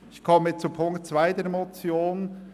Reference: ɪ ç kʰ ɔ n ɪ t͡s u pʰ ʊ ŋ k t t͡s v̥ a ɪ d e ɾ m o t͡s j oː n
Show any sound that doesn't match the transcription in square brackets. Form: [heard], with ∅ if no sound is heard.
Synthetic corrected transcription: ɪ ç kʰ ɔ [m] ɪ t͡s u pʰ ʊ ŋ k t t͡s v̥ a ɪ d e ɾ m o t͡s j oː n